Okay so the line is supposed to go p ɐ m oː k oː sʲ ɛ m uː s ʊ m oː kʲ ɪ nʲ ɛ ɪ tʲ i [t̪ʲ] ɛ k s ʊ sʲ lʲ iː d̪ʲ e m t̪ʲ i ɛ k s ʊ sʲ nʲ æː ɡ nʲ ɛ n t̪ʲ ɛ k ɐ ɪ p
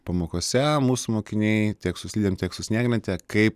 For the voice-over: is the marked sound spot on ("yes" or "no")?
no